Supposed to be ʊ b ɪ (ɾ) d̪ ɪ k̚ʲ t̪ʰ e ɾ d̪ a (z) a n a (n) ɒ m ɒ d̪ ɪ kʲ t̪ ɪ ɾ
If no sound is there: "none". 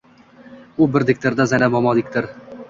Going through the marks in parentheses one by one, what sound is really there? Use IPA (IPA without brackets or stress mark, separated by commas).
ɾ, z, m